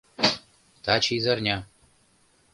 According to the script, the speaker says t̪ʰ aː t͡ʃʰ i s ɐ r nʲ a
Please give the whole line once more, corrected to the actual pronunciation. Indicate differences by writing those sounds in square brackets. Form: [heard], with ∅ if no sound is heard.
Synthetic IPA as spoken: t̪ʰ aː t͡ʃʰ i [z] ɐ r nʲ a